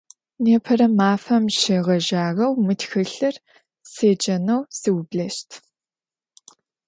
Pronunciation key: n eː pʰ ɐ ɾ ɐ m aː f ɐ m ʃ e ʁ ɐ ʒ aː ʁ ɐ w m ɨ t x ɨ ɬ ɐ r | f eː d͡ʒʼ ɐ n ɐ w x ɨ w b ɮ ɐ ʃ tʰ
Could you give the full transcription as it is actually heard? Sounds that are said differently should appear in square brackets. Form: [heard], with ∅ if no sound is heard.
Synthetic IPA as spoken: n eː pʰ ɐ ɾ ɐ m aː f ɐ m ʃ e ʁ ɐ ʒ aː ʁ ɐ w m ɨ t x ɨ ɬ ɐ r | [s] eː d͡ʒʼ ɐ n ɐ w [s] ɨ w b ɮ ɐ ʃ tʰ